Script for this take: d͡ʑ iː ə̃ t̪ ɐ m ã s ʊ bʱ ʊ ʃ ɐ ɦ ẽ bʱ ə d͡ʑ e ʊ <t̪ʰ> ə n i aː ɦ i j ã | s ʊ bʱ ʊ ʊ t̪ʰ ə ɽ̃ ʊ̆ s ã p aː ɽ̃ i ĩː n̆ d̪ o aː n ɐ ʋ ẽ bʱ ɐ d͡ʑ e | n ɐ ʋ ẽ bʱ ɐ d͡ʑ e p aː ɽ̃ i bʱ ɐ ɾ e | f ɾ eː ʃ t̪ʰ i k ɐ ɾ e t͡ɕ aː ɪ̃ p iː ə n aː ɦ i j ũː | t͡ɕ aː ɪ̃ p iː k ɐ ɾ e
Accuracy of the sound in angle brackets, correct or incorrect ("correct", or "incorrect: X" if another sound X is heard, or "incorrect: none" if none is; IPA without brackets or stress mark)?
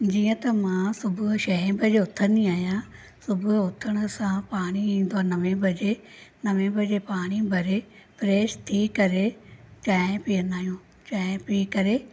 correct